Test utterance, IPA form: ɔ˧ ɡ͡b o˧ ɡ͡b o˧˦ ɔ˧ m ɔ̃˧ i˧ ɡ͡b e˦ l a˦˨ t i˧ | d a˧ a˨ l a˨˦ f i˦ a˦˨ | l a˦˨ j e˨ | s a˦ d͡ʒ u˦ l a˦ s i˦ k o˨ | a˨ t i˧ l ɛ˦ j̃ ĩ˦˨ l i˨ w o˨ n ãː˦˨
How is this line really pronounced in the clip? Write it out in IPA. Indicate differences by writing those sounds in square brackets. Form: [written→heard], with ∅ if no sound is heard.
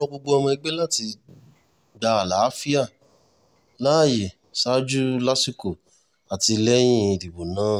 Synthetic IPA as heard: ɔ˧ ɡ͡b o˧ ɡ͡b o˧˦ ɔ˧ m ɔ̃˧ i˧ ɡ͡b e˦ l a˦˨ t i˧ | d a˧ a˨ l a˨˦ f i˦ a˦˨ | l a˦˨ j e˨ | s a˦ d͡ʒ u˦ l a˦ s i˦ k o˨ | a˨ t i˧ l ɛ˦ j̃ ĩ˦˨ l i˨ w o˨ n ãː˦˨